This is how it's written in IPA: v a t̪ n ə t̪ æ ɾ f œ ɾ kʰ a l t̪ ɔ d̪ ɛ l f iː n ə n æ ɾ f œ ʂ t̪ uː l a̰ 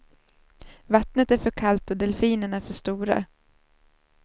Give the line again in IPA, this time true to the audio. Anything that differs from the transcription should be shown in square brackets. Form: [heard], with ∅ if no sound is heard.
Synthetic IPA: v a t̪ n ə t̪ æ ɾ f œ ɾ kʰ a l t̪ ɔ d̪ ɛ l f iː n ə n æ ɾ f œ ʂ t̪ uː [ɾ] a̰